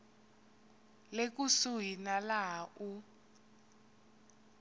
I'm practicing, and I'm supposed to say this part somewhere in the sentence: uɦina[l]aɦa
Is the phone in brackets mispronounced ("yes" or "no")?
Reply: no